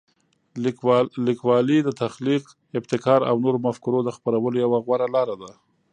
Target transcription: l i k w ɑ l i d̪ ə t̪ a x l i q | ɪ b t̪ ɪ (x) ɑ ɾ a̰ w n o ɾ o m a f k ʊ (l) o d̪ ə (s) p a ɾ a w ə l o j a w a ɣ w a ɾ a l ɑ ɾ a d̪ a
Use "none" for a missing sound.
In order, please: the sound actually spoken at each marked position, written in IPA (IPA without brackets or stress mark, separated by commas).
k, ɾ, x